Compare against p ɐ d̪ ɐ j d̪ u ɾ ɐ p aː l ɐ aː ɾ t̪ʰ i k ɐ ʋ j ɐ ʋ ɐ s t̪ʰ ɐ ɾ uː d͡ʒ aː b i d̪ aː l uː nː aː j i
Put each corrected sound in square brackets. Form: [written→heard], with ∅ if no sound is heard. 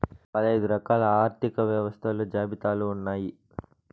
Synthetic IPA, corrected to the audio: p ɐ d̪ ɐ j d̪ u ɾ ɐ [p→k] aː l ɐ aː ɾ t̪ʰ i k ɐ ʋ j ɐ ʋ ɐ s t̪ʰ ɐ [ɾ→l] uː d͡ʒ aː b i [d̪→t̪] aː l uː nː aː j i